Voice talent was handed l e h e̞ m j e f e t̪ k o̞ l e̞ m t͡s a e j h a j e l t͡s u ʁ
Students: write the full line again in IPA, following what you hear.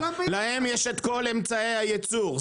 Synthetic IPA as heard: l a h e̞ m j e ʃ e t̪ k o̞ l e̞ m t͡s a e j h a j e t͡s u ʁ